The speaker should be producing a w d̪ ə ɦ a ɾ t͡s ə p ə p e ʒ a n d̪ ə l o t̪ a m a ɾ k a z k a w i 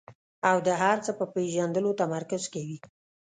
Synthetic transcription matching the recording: a w d̪ ə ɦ a ɾ t͡s ə p ə p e ʒ a n d̪ ə l o t̪ a m a ɾ k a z k a w i